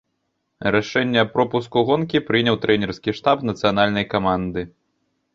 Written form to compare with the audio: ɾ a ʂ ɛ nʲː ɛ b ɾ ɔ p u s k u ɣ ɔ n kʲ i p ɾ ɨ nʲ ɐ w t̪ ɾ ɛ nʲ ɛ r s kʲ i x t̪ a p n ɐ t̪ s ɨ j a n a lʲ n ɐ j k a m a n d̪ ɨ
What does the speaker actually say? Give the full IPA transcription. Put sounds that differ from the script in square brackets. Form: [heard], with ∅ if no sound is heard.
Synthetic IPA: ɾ a ʂ ɛ nʲː ɛ [p] ɾ ɔ p u s k u ɣ ɔ n kʲ i p ɾ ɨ nʲ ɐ w t̪ ɾ ɛ nʲ ɛ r s kʲ i [ʂ] t̪ a p n ɐ t̪ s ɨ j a n a lʲ n ɐ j k a m a n d̪ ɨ